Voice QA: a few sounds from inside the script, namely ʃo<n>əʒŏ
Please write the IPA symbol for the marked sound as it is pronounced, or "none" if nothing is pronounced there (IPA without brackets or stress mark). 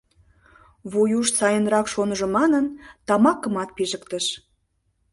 n